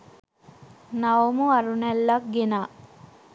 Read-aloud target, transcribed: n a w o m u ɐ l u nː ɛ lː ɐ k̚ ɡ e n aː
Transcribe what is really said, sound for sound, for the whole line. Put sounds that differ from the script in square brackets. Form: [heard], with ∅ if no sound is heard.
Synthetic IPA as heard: n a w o m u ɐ [ɾ] u [n] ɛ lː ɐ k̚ ɡ e n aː